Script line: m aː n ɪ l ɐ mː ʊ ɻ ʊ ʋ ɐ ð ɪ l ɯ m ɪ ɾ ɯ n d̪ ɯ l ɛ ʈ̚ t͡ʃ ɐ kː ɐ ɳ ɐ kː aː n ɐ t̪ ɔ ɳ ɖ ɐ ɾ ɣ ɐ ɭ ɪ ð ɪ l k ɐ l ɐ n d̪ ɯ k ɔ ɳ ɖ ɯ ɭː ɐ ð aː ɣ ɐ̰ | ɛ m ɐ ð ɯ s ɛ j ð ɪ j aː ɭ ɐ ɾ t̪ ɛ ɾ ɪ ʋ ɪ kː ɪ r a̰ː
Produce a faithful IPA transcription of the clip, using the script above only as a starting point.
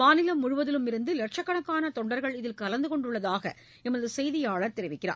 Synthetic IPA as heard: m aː n ɪ l ɐ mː ʊ ɻ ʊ ʋ ɐ ð ɪ l ɯ m ɪ ɾ ɯ n d̪ ɯ l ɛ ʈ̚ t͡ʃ ɐ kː ɐ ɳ ɐ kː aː n ɐ t̪ ɔ ɳ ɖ ɐ ɾ ɣ ɐ ɭ ɪ ð ɪ l k ɐ l ɐ n d̪ ɯ k ɔ ɳ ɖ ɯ ɭː ɐ ð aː ɣ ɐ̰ | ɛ m ɐ ð ɯ s ɛ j ð ɪ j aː ɭ ɐ ɾ t̪ ɛ ɾ ɪ ʋ ɪ kː ɪ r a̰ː